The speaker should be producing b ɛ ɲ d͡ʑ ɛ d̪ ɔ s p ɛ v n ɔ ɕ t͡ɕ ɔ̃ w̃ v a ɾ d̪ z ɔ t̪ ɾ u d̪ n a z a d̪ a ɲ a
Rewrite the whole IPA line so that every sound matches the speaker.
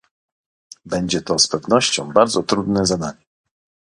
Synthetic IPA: b ɛ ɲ d͡ʑ ɛ t̪ ɔ s p ɛ v n ɔ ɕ t͡ɕ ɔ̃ w̃ b a ɾ d̪ z ɔ t̪ ɾ u d̪ n ɛ z a d̪ a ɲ ɛ

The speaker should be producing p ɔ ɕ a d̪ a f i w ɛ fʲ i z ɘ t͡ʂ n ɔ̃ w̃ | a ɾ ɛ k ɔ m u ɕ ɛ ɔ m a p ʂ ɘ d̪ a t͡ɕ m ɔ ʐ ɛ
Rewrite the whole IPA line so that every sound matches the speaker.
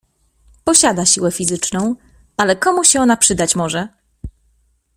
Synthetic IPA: p ɔ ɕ a d̪ a ɕ i w ɛ fʲ i z ɘ t͡ʂ n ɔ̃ w̃ | a l ɛ k ɔ m u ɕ ɛ ɔ n a p ʂ ɘ d̪ a t͡ɕ m ɔ ʐ ɛ

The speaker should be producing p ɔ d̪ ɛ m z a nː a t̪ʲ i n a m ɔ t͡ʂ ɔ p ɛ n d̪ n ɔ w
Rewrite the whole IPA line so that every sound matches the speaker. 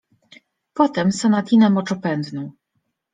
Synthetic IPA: p ɔ t̪ ɛ m s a n a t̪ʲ i n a m ɔ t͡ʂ ɔ p ɛ n d̪ n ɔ w

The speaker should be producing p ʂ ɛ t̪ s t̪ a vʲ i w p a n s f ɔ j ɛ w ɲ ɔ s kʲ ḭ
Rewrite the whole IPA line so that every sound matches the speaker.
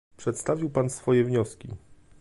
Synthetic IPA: p ʂ ɛ t̪ s t̪ a vʲ i w p a n s f ɔ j ɛ v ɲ ɔ s kʲ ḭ

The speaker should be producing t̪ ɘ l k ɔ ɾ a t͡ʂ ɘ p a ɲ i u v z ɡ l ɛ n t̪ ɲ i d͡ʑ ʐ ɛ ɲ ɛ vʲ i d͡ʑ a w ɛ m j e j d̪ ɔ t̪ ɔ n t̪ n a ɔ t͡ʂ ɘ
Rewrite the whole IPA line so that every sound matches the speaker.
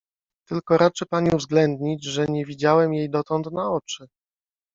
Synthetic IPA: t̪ ɘ l k ɔ ɾ a t͡ʂ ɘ p a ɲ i u v z ɡ l ɛ n d̪ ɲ i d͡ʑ ʐ ɛ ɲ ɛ vʲ i d͡ʑ a w ɛ m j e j d̪ ɔ t̪ ɔ n t̪ n a ɔ t͡ʂ ɘ

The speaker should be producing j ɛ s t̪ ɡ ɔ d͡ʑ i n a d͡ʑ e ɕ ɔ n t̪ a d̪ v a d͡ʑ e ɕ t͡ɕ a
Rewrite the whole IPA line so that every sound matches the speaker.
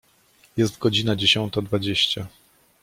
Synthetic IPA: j ɛ s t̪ ɡ ɔ d͡ʑ i n a d͡ʑ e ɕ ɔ n t̪ a d̪ v a d͡ʑ e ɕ t͡ɕ a

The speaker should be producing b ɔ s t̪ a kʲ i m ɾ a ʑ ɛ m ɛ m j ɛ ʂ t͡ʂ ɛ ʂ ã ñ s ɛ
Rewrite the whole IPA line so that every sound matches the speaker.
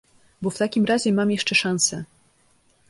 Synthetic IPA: b ɔ f t̪ a kʲ i m ɾ a ʑ ɛ m a m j ɛ ʂ t͡ʂ ɛ ʂ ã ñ s ɛ

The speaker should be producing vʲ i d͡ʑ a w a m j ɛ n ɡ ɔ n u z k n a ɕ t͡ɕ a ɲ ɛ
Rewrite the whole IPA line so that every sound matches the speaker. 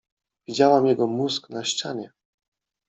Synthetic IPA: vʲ i d͡ʑ a w a m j ɛ ɡ ɔ m u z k n a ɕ t͡ɕ a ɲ ɛ

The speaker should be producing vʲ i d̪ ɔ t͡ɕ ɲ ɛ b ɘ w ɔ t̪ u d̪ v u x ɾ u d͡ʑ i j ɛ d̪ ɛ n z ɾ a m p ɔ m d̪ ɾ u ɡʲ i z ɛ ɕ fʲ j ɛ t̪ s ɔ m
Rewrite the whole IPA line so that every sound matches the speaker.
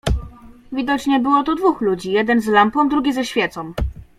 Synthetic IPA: vʲ i d̪ ɔ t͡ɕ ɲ ɛ b ɘ w ɔ t̪ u d̪ v u x l u d͡ʑ i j ɛ d̪ ɛ n z l a m p ɔ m d̪ ɾ u ɡʲ i z ɛ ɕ fʲ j ɛ t̪ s ɔ m

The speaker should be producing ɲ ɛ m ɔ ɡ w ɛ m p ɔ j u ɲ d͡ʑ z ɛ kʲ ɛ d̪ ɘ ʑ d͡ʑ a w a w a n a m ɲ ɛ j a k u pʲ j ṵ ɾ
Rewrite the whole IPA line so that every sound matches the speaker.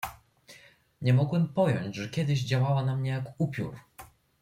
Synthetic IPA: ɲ ɛ m ɔ ɡ w ɛ m p ɔ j ɔ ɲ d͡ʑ ʐ ɛ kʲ ɛ d̪ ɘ ʑ d͡ʑ a w a w a n a m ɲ ɛ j a k u pʲ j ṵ ɾ

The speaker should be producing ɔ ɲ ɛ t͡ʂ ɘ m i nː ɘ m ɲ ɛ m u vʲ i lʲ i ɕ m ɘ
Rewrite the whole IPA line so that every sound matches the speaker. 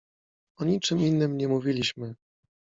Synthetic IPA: ɔ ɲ i t͡ʂ ɘ m i nː ɘ m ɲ ɛ m u vʲ i lʲ i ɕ m ɘ

